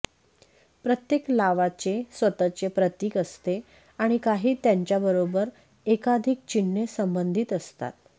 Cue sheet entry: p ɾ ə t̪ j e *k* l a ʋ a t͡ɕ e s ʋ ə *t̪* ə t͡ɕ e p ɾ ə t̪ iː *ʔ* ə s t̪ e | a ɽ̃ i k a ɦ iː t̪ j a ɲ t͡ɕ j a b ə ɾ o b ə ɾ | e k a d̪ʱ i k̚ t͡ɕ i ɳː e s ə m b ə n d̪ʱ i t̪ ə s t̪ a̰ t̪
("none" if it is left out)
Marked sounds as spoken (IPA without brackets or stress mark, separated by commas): k, t̪, k